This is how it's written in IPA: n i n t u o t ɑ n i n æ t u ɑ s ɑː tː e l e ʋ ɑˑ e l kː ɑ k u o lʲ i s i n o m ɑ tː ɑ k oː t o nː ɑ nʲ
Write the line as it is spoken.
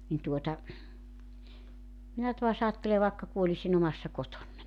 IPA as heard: n i n t u o t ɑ m i n æ t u ɑ s ɑː tː e l e ʋ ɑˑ e kː ɑ k u o lʲ i s i n o m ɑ sː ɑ k o t o nː ɑ nʲ